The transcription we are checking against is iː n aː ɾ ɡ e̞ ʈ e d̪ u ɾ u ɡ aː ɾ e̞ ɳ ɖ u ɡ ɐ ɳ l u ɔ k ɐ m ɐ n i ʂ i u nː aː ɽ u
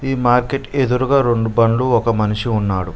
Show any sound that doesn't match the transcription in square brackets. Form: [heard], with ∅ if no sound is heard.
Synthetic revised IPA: iː [m] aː ɾ [k] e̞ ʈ e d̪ u ɾ u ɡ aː ɾ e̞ ɳ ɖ u [b] ɐ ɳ l u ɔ k ɐ m ɐ n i ʂ i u nː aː ɽ u